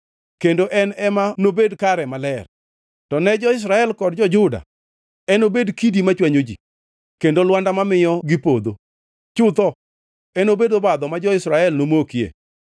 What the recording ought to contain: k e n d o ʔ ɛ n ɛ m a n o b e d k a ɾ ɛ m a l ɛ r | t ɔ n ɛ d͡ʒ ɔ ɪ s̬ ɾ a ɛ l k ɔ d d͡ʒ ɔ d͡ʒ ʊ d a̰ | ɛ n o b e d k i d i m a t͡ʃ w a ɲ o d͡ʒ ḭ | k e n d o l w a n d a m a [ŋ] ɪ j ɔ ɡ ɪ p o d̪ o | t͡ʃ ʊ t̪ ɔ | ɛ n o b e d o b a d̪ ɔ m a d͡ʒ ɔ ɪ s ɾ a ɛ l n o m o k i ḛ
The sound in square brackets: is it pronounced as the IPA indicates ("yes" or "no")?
no